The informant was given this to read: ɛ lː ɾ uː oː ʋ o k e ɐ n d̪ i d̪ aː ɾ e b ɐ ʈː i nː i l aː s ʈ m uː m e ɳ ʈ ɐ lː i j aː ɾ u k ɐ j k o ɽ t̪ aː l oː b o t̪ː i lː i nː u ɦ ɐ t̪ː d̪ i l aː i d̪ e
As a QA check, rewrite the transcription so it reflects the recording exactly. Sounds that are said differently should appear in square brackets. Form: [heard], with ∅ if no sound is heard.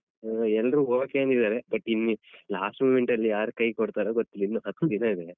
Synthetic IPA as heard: ɛ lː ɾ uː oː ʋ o k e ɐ n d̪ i d̪ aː ɾ e b ɐ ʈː i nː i l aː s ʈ m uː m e ɳ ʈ ɐ lː i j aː ɾ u k ɐ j k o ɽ t̪ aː [ɾ] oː [ɡ] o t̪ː i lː i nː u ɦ ɐ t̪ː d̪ i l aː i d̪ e

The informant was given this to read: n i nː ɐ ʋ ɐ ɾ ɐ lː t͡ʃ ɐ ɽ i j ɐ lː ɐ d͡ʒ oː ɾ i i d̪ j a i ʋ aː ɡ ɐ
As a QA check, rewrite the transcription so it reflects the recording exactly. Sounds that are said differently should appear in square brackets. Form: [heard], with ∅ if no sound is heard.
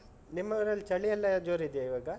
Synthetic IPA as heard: n i [mː] ɐ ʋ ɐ ɾ ɐ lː t͡ʃ ɐ [ɭ] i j ɐ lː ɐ d͡ʒ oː ɾ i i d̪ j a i ʋ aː ɡ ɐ

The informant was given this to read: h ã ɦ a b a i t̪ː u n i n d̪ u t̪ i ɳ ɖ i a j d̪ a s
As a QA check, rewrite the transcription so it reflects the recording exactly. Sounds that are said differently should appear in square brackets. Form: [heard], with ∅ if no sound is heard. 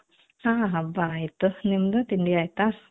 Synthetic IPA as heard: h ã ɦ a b a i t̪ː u n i [m] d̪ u t̪ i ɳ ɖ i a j [t̪] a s

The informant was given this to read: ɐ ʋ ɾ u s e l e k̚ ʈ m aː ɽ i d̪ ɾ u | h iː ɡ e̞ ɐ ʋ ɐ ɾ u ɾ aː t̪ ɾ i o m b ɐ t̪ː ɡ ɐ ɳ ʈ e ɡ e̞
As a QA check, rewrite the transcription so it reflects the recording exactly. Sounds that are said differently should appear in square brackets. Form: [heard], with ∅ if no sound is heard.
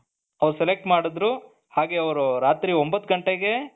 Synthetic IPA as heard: ɐ ʋ ɾ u s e l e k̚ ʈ m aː ɽ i d̪ ɾ u | h [aː] ɡ e̞ ɐ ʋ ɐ ɾ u ɾ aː t̪ ɾ i o m b ɐ t̪ː ɡ ɐ ɳ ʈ e ɡ e̞

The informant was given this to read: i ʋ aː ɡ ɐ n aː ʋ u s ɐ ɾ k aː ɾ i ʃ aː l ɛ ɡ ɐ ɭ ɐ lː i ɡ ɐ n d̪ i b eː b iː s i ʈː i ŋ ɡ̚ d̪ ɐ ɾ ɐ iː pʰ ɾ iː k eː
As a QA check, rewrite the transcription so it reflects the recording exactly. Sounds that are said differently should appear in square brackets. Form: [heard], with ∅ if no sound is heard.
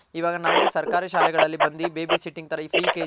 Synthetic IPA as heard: i ʋ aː ɡ ɐ n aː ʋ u s ɐ ɾ k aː ɾ i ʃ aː l ɛ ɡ ɐ ɭ ɐ lː i [b] ɐ n d̪ i b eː b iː s i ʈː i ŋ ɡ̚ [t̪] ɐ ɾ ɐ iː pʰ ɾ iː k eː

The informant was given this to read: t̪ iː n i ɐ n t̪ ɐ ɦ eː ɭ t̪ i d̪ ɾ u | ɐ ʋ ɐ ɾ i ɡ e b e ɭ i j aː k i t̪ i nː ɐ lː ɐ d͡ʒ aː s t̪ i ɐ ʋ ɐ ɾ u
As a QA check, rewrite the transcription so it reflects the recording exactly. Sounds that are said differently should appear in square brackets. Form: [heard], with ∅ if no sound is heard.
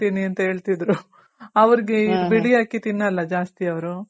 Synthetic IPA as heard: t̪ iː n i ɐ n t̪ ɐ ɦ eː ɭ t̪ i d̪ ɾ u | ɐ ʋ ɐ ɾ i ɡ e b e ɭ i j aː k i t̪ i nː ɐ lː ɐ d͡ʒ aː s t̪ i ɐ ʋ ɐ ɾ u

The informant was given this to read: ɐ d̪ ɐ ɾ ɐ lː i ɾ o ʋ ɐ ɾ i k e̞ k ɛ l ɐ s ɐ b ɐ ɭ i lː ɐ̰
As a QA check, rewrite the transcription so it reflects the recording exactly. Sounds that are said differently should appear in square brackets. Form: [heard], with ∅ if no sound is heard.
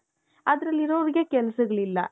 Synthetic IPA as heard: ɐ d̪ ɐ ɾ ɐ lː i ɾ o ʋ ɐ ɾ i [ɡ] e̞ k ɛ l ɐ s ɐ [ɡ] ɐ ɭ i lː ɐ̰

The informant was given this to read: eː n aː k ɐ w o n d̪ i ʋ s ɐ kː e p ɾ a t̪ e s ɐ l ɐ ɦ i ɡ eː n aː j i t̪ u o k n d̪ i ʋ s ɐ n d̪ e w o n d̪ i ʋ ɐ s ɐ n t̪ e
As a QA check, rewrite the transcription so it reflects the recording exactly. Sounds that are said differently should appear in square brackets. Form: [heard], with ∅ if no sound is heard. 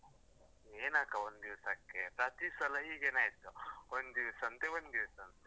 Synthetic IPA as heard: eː n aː k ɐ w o n d̪ i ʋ s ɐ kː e p ɾ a t̪ [i] s ɐ l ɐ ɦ i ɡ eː n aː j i t̪ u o [∅] n d̪ i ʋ s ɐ n [t̪] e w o n d̪ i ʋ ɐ s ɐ n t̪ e

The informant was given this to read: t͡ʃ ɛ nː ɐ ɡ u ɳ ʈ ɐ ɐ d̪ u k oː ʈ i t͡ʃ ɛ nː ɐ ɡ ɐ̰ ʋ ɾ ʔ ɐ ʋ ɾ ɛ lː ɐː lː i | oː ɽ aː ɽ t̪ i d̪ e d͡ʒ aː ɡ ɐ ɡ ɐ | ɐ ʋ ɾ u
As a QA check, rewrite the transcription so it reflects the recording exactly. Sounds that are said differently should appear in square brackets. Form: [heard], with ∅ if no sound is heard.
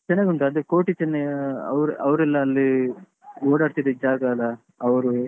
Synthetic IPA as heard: t͡ʃ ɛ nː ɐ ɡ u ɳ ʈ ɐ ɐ d̪ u k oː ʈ i t͡ʃ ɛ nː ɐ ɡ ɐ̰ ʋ ɾ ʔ ɐ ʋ ɾ ɛ lː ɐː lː i | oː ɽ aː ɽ t̪ i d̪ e d͡ʒ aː ɡ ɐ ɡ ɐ | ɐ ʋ ɾ u

